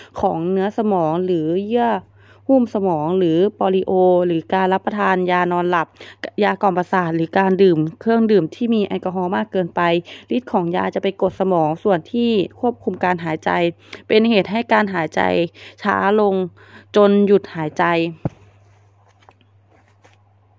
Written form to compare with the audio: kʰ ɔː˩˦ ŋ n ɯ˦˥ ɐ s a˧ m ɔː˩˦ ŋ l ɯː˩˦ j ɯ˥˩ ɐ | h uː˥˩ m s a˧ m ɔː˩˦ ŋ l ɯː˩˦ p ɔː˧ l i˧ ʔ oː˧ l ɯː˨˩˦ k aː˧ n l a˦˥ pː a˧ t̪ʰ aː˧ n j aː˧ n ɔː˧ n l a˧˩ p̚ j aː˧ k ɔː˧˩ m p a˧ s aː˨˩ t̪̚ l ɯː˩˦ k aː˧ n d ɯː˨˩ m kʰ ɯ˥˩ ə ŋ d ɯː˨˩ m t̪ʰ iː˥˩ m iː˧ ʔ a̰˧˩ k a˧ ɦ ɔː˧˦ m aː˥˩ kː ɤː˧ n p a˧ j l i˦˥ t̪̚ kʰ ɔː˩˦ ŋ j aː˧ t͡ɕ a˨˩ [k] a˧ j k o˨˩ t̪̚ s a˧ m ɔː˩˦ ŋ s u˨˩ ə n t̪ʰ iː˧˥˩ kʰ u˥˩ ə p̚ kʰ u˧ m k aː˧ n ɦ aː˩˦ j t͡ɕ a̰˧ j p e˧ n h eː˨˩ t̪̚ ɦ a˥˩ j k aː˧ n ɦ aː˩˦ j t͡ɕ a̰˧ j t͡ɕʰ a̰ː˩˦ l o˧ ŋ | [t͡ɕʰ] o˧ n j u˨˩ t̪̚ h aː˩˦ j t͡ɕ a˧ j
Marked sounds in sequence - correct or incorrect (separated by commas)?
incorrect, incorrect